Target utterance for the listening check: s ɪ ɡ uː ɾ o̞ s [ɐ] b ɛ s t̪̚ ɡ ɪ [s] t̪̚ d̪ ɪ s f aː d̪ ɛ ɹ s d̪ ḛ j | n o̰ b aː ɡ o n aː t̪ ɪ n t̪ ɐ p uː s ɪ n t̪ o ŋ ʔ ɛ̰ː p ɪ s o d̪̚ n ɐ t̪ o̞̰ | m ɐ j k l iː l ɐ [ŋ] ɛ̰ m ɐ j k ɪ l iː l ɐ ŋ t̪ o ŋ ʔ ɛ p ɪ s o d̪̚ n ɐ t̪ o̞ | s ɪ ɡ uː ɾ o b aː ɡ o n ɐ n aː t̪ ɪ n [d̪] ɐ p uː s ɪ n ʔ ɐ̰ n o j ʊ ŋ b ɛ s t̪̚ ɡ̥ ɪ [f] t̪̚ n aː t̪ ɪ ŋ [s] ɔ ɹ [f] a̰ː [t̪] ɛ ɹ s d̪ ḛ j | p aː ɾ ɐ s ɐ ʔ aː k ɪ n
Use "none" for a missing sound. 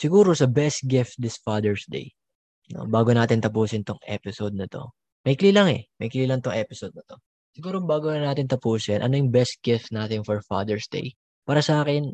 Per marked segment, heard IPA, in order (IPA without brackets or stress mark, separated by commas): ɐ, f, ŋ, t̪, f, f, f, d̪